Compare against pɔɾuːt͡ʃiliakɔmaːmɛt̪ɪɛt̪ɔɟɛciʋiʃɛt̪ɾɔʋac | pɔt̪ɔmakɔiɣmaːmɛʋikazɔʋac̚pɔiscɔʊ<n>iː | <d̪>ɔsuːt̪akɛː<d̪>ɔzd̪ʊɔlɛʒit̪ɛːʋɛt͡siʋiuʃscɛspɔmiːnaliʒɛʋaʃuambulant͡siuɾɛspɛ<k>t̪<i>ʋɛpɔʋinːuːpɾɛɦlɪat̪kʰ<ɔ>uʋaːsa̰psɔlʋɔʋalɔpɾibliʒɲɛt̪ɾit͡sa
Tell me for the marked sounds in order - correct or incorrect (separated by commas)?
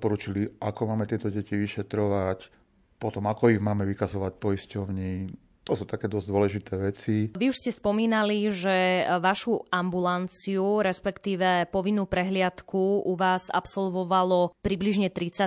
incorrect, incorrect, correct, correct, incorrect, incorrect